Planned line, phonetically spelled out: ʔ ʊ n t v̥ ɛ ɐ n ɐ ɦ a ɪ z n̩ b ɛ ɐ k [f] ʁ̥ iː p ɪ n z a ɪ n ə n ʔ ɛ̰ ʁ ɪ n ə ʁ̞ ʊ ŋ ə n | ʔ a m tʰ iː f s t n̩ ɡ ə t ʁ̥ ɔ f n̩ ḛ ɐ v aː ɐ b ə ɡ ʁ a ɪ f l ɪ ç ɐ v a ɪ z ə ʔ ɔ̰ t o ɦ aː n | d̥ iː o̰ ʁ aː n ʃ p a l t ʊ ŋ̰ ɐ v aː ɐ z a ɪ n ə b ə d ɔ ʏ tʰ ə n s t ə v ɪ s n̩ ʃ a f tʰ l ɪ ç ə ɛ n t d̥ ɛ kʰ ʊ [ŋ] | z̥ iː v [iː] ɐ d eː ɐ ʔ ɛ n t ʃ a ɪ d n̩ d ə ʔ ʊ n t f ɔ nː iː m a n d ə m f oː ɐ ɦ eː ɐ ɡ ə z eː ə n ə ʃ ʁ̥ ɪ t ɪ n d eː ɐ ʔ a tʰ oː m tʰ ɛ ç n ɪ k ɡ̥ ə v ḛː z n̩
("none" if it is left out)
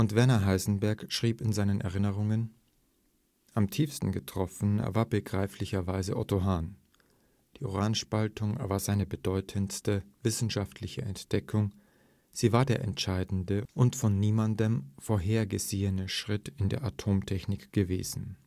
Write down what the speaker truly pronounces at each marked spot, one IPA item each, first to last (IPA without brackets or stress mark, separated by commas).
ʃ, ŋ, aː